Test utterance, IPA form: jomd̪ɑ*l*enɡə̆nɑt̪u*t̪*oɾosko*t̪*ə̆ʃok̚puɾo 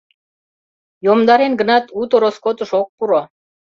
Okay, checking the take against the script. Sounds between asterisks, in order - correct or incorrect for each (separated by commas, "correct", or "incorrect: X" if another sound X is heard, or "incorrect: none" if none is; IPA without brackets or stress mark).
incorrect: ɾ, correct, correct